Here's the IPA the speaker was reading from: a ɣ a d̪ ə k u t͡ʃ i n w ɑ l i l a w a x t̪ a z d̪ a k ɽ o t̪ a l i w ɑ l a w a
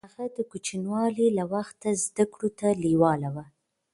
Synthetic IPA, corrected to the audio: a ɣ a d̪ ə k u t͡ʃ i n w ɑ l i l a w a x t̪ a z d̪ a k ɽ o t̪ a l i w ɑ l a w a